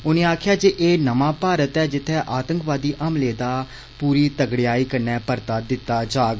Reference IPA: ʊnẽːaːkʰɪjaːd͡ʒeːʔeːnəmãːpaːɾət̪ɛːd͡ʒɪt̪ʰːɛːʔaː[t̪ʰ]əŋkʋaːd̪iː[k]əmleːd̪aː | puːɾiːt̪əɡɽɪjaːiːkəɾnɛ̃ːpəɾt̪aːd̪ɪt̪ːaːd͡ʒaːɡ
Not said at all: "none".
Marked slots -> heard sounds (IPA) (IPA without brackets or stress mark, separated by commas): t̪, ʔ